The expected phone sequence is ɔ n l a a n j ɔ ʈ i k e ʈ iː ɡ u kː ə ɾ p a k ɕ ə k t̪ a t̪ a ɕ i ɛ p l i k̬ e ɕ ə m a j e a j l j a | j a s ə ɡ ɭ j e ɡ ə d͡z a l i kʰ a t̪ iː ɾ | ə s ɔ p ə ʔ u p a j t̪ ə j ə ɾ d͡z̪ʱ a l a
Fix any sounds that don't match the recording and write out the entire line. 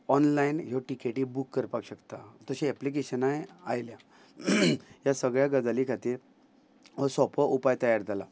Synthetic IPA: ɔ n l a i n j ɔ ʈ i k e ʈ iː b u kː ə ɾ p a k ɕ ə k t̪ a t̪ ə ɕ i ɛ p l i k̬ e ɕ ə n a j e a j l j a | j a s ə ɡ ɭ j a ɡ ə d͡z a l i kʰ a t̪ iː ɾ | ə s ɔ p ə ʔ u p a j t̪ ə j a ɾ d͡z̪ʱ a l a